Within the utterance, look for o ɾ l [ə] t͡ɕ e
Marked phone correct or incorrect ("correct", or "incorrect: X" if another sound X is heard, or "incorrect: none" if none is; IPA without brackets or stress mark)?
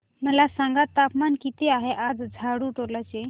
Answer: incorrect: a